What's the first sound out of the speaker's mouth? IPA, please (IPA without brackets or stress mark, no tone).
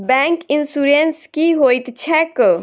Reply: b